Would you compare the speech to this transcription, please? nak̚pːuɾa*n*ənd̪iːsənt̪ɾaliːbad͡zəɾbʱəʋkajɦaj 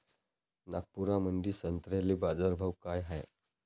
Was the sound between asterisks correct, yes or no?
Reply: no